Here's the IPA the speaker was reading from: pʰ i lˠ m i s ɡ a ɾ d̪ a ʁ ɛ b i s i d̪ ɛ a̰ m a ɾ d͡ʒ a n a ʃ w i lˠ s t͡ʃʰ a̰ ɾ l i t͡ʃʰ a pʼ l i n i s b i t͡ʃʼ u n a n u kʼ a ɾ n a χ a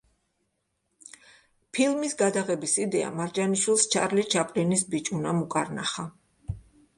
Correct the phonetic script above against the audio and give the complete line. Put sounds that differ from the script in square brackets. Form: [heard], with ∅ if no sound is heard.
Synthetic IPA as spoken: pʰ i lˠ m i s ɡ a [∅] d̪ a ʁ ɛ b i s i d̪ ɛ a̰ m a ɾ d͡ʒ a n [i] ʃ w i lˠ s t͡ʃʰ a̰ ɾ l i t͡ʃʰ a pʼ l i n i s b i t͡ʃʼ u n a [m] u kʼ a ɾ n a χ a